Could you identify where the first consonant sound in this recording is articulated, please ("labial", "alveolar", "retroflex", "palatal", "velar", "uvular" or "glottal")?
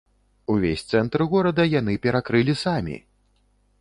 labial